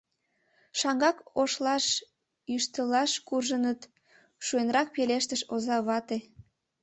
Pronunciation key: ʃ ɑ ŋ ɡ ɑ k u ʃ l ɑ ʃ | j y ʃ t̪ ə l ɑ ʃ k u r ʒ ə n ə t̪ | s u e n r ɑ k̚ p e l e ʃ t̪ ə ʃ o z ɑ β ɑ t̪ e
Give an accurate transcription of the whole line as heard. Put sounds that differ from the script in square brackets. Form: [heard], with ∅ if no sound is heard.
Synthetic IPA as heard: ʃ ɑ ŋ ɡ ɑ k [o] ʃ l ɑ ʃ | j y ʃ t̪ ə l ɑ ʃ k u r ʒ ə n ə t̪ | [ʃ] u e n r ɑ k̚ p e l e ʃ t̪ ə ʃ o z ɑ β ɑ t̪ e